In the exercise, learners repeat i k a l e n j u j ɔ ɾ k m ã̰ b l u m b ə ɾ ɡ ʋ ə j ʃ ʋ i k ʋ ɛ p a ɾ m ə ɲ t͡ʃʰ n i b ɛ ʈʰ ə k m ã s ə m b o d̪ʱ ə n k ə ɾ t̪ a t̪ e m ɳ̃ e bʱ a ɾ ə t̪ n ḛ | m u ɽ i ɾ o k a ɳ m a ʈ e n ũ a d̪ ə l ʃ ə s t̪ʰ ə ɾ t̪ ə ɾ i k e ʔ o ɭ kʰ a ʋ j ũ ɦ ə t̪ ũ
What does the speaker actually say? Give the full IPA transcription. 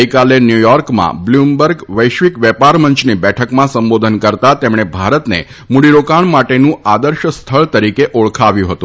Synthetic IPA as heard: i k a l e n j u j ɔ ɾ k m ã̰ b l u m b ə ɾ ɡ ʋ ə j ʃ ʋ i k ʋ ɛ p a ɾ m ə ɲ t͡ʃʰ n i b ɛ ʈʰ ə k m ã s ə m b o d̪ʱ ə n k ə ɾ t̪ a t̪ e m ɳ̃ e bʱ a ɾ ə t̪ n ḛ | m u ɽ i ɾ o k a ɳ m a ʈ e n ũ a d̪ ə ɾ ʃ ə s t̪ʰ ə ɭ t̪ ə ɾ i k e ʔ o ɭ kʰ a ʋ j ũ ɦ ə t̪ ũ